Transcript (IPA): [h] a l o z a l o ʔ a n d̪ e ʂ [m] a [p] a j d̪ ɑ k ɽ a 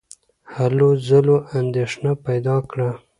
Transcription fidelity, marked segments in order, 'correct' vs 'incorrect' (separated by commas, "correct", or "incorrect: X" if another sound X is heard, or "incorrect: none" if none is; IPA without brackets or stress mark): correct, incorrect: n, correct